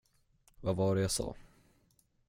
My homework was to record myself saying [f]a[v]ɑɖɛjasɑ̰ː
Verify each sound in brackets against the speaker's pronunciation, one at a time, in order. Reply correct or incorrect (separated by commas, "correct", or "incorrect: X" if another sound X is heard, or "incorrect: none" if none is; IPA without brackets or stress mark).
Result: incorrect: v, correct